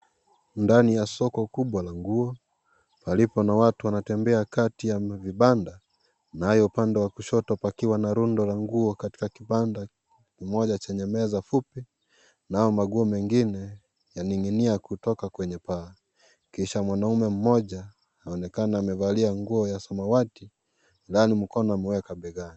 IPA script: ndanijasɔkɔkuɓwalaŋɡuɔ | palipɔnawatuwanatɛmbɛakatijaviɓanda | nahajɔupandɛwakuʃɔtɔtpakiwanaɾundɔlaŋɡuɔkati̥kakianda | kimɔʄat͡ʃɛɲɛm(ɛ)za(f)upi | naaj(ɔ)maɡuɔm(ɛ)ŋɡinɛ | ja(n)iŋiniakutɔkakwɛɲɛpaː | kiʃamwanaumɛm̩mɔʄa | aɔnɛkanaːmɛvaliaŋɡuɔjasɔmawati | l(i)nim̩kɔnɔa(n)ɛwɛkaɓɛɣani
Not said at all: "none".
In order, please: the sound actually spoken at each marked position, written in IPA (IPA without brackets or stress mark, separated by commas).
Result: ɛ, f, ɔ, ɛ, n, a, m